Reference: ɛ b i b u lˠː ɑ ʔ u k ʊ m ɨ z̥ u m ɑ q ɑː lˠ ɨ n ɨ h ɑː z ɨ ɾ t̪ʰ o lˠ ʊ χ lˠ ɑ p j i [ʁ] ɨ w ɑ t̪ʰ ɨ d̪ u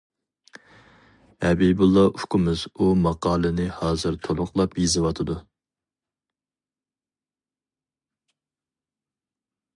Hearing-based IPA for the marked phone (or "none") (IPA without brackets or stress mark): z